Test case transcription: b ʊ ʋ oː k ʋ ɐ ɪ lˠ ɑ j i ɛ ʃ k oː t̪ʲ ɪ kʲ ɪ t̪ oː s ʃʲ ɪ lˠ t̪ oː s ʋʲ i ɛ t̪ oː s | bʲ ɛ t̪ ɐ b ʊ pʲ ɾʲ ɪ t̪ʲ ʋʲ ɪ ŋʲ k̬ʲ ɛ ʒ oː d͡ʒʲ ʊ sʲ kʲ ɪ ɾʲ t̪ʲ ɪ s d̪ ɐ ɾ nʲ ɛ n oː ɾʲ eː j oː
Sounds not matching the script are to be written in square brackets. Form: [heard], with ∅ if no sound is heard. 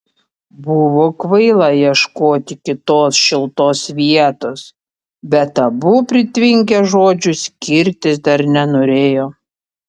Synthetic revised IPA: b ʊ ʋ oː k ʋ ɐ ɪ lˠ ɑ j i ɛ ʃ k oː t̪ʲ ɪ kʲ ɪ t̪ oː s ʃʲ ɪ lˠ t̪ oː s ʋʲ i ɛ t̪ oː s | bʲ ɛ t̪ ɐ b ʊ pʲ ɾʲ ɪ t̪ʲ ʋʲ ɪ ŋʲ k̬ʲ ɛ ʒ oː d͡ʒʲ ʊ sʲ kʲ ɪ ɾʲ t̪ʲ ɪ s d̪ ɐ ɾ nʲ ɛ n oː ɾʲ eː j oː